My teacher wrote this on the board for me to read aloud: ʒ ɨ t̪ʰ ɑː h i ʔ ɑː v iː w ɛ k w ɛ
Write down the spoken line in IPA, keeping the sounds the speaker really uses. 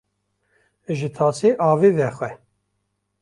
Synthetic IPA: ʒ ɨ t̪ʰ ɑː s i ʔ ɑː v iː v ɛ x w ɛ